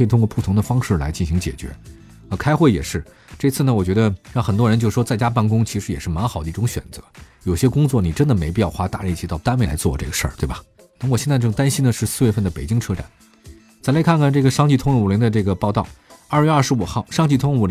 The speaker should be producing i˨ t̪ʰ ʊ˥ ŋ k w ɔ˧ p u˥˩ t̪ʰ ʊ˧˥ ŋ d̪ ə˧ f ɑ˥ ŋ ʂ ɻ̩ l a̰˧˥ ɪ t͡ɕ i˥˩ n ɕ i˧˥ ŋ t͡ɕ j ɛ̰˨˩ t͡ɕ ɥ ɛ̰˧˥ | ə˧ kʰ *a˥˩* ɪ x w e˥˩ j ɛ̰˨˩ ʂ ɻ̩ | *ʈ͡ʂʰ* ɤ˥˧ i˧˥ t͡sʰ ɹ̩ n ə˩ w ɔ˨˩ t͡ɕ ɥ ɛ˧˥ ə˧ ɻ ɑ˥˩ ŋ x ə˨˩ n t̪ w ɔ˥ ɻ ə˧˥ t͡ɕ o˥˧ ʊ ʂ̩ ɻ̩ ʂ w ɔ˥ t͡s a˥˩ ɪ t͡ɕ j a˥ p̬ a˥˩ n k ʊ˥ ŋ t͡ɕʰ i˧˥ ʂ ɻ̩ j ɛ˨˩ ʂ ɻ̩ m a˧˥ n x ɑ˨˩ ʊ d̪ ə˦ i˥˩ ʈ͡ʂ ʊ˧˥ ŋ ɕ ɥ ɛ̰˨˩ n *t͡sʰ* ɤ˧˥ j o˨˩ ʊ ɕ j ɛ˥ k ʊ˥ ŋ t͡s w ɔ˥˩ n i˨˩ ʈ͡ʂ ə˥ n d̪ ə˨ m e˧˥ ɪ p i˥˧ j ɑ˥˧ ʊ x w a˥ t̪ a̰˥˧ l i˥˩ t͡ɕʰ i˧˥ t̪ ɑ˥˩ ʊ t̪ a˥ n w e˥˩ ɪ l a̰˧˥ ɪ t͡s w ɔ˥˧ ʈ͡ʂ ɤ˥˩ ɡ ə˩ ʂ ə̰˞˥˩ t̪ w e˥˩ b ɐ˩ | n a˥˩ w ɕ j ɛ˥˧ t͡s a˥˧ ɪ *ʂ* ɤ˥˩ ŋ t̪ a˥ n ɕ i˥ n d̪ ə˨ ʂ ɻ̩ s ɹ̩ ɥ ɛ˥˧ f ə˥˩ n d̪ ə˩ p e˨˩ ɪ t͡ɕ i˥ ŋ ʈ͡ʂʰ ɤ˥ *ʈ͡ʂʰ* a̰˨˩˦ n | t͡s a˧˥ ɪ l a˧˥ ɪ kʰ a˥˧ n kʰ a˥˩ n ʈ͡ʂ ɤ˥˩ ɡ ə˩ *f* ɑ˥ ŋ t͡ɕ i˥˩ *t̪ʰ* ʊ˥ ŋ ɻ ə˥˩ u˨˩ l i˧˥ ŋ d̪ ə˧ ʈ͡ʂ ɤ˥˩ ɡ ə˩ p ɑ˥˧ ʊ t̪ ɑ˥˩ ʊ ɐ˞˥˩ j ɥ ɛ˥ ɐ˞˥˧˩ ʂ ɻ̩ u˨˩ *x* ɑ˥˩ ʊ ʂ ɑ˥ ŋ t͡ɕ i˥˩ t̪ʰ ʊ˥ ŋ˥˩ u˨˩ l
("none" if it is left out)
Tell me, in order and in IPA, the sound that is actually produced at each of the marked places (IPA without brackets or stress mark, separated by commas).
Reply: a˥, ʈ͡ʂ, t͡s, ʈ͡ʂ, ʈ͡ʂ, ʂ, t̪ʰ, x